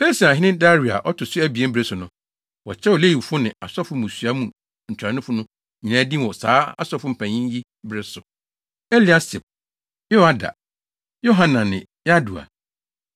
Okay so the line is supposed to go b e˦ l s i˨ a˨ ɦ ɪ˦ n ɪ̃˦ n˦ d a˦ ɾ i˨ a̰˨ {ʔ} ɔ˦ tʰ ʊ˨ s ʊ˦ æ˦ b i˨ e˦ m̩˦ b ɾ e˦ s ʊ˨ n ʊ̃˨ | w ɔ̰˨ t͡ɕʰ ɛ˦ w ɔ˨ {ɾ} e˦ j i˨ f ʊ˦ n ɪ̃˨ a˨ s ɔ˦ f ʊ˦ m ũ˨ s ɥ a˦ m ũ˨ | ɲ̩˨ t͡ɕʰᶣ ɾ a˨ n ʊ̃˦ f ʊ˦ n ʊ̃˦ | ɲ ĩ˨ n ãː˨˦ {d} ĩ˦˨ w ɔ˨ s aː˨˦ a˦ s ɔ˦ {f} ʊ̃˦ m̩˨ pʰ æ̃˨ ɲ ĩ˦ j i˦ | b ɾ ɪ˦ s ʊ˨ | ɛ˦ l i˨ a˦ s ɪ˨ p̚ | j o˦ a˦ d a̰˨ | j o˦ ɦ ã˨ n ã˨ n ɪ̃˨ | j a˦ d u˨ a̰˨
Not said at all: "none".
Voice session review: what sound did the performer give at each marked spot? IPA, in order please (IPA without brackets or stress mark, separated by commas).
ʔ, l, d, f